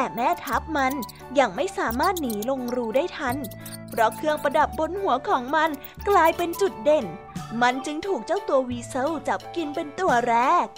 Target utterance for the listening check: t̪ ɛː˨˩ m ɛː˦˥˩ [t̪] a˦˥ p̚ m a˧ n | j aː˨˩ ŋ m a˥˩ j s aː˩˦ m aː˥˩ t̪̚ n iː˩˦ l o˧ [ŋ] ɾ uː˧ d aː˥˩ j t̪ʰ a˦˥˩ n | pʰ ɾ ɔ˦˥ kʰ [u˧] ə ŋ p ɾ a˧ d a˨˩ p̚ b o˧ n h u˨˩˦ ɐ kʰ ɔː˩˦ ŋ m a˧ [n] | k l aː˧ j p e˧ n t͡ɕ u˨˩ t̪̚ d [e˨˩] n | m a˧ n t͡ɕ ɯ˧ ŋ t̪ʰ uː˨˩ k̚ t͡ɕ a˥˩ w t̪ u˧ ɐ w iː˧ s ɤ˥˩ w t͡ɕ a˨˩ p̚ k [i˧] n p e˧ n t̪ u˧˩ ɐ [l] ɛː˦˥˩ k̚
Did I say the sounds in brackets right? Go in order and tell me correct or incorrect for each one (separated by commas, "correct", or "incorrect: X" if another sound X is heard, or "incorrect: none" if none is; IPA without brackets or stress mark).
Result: incorrect: t̪ʰ, correct, incorrect: ɯ˧, correct, correct, correct, incorrect: ɾ